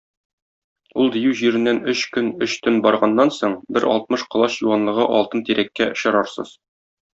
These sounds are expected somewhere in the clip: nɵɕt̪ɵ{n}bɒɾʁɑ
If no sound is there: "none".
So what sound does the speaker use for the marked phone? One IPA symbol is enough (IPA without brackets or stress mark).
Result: n